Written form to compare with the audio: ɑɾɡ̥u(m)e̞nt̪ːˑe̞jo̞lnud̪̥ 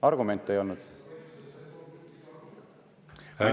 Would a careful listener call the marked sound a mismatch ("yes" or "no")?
no